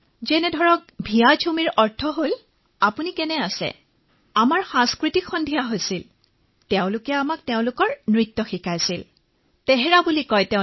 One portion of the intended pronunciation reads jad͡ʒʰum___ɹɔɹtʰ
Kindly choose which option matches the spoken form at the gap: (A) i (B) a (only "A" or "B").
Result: A